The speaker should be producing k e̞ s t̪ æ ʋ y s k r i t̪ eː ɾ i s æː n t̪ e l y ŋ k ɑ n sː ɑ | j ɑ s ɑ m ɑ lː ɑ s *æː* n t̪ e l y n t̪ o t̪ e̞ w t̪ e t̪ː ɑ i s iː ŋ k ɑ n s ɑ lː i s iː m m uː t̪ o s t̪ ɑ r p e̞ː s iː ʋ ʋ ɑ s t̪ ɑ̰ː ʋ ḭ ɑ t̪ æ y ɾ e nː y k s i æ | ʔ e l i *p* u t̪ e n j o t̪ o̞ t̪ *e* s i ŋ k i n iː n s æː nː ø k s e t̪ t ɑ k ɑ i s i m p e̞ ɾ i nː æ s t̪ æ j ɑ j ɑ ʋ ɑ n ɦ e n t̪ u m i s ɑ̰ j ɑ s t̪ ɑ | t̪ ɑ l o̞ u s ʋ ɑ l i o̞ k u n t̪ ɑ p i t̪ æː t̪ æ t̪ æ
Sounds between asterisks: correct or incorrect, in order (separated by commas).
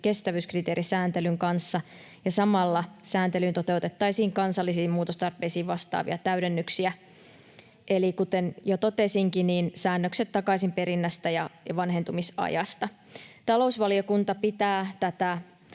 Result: correct, incorrect, correct